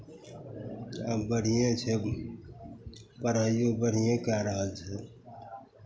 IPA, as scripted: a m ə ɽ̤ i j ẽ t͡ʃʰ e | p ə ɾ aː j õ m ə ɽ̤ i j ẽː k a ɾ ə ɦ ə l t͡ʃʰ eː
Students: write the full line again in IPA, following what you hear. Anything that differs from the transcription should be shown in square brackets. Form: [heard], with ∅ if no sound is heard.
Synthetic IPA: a [b] ə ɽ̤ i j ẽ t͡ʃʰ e | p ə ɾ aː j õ [b] ə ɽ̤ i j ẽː k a ɾ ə ɦ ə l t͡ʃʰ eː